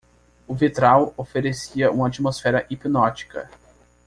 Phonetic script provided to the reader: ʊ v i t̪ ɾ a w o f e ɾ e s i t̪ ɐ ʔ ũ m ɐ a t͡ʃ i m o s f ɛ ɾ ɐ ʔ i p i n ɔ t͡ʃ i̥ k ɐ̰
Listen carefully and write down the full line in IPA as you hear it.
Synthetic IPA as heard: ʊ v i t̪ ɾ a w o f e ɾ e s i ɐ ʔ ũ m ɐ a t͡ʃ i m o s f ɛ ɾ ɐ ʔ i p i n ɔ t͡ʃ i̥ k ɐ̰